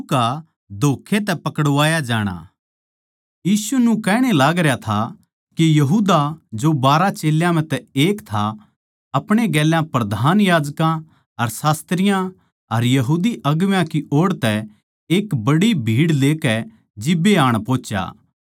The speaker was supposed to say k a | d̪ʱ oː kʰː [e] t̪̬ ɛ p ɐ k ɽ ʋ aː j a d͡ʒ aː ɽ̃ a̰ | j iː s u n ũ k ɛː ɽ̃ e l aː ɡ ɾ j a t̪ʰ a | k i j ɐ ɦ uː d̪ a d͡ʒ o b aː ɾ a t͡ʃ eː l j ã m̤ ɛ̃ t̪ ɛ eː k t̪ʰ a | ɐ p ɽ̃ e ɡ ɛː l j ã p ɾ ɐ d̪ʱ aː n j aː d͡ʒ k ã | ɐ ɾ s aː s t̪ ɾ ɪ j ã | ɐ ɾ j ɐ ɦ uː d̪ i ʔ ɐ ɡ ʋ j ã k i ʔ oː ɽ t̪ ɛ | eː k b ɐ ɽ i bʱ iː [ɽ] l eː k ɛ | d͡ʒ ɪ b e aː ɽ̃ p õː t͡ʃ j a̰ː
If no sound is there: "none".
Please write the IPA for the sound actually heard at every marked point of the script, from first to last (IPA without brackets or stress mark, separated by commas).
e, ɽ